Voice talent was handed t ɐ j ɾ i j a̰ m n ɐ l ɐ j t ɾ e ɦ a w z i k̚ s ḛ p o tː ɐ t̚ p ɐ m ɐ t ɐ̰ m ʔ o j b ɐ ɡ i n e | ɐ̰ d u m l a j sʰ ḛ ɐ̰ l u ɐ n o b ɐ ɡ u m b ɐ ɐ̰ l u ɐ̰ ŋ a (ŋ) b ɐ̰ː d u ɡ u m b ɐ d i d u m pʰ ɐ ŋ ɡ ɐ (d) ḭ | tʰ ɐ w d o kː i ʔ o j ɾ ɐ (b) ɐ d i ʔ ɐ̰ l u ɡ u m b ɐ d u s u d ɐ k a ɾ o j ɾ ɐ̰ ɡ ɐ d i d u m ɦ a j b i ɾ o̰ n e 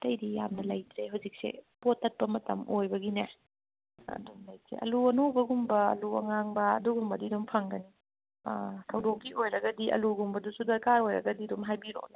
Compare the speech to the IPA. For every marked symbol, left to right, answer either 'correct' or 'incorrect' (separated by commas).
correct, incorrect, incorrect